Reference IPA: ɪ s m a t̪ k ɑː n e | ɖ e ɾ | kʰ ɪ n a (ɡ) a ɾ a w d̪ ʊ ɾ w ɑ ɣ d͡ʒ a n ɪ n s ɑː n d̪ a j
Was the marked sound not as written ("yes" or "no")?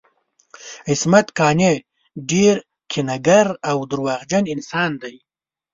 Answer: no